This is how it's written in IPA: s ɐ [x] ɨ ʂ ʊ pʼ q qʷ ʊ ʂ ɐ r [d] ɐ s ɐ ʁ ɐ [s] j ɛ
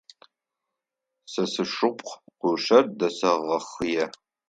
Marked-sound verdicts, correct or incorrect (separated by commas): incorrect, correct, incorrect